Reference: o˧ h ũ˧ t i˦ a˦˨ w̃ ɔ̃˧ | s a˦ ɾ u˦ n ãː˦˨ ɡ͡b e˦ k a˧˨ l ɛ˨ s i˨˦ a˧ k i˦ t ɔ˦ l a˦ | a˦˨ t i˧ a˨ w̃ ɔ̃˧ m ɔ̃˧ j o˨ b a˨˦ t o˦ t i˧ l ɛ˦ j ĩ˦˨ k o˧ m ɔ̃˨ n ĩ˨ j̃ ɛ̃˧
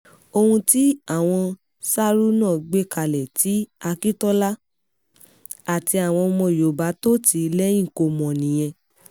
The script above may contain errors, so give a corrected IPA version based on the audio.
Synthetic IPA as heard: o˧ h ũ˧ t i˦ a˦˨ w̃ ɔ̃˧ | s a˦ ɾ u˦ n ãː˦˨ ɡ͡b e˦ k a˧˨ l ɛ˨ t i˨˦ a˧ k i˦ t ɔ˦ l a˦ | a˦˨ t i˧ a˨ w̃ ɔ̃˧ m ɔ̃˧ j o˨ b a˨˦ t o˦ t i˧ l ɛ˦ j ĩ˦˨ k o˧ m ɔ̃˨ n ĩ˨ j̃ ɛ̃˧

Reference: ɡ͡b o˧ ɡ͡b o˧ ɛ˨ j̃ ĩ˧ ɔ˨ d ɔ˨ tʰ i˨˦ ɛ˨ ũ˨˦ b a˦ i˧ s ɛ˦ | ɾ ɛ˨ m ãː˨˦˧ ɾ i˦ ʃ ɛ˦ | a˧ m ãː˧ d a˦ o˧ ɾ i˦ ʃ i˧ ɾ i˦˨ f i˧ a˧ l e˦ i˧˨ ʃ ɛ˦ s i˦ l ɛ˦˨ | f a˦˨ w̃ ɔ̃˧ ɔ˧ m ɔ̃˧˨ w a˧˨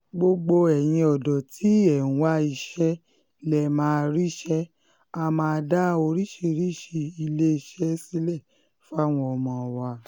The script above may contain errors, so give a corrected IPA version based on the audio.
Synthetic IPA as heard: ɡ͡b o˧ ɡ͡b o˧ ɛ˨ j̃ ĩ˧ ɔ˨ d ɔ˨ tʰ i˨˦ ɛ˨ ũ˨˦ w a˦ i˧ ʃ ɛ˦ | l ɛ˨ m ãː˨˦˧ ɾ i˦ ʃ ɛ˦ | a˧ m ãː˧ d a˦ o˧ ɾ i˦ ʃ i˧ ɾ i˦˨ ʃ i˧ i˧ l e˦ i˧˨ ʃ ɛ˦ s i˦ l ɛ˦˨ | f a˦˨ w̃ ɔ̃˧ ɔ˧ m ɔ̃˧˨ w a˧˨

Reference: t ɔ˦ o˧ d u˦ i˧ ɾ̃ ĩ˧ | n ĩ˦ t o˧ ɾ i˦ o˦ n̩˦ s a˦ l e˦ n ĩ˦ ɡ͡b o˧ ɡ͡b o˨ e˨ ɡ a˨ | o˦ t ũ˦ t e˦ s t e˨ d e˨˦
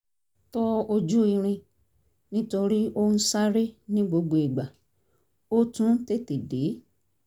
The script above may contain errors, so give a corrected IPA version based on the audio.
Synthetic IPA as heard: t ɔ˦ o˧ d͡ʒ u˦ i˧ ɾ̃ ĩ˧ | n ĩ˦ t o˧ ɾ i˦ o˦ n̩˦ s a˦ ɾ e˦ n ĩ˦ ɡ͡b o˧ ɡ͡b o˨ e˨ ɡ͡b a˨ | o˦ t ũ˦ t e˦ t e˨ d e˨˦

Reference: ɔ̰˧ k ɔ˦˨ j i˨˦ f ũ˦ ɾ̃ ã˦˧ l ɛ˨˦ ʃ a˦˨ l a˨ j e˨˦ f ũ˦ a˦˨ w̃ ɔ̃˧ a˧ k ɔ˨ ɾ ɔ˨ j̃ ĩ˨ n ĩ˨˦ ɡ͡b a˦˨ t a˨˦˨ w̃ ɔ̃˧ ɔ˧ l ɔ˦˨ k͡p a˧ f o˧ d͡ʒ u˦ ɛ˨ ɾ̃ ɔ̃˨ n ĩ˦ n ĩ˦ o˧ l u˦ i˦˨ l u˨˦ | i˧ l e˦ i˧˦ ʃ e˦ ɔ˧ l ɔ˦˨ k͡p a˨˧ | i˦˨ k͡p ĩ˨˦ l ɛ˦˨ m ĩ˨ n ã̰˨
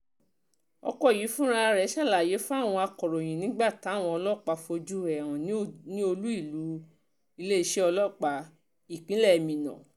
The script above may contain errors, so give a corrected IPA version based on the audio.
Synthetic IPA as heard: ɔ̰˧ k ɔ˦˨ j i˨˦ f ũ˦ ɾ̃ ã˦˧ ɾ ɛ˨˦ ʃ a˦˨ l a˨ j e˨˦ f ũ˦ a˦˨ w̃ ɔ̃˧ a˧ k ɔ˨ ɾ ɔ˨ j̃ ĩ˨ n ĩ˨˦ ɡ͡b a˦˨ t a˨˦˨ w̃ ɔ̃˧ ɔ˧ l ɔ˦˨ k͡p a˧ f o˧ d͡ʒ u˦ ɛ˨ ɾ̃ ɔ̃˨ n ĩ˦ n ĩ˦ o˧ l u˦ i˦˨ l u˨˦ | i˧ l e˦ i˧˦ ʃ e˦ ɔ˧ l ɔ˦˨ k͡p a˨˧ | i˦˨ k͡p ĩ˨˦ l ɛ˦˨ m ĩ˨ n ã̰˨

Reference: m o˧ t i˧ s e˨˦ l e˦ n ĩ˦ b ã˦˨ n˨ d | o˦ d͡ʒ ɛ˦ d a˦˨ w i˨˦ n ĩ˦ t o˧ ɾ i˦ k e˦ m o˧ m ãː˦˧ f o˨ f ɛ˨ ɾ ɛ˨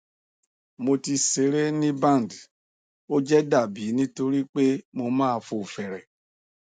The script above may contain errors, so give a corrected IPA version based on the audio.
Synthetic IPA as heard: m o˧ t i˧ s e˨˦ ɾ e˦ n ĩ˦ b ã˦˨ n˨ d | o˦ d͡ʒ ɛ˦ d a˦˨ b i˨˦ n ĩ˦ t o˧ ɾ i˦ k͡p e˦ m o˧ m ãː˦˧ f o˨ f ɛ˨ ɾ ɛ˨

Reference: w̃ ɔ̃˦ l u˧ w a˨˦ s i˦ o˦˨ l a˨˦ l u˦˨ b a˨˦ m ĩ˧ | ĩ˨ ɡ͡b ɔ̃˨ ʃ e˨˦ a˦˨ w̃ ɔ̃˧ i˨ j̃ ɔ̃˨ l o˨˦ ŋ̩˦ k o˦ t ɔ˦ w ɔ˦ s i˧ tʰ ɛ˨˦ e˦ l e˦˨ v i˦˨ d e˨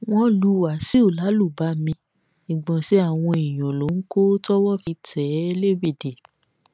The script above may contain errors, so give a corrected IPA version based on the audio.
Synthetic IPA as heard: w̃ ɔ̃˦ l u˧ w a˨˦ s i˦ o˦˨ l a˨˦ l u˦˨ b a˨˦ m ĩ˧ | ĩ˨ ɡ͡b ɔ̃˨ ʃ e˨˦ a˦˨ w̃ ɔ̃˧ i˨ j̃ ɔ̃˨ l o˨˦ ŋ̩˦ k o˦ t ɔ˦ w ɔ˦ f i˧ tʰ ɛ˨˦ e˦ l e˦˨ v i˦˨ d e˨

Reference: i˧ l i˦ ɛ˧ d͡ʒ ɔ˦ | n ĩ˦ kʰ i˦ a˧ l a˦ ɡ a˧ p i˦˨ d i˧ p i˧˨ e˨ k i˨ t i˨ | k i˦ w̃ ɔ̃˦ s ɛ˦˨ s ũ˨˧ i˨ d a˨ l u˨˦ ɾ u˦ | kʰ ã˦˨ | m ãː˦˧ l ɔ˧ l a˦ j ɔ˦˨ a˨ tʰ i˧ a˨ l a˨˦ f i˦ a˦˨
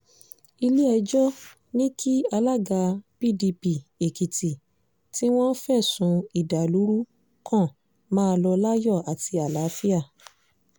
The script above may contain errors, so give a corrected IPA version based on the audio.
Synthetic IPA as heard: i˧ l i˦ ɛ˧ d͡ʒ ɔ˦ | n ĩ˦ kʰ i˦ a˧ l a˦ ɡ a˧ p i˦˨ d i˧ p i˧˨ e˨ k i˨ t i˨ | t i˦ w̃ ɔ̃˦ f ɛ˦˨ s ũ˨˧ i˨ d a˨ l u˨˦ ɾ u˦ | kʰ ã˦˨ | m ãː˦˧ l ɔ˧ l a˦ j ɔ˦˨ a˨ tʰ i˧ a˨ l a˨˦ f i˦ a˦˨

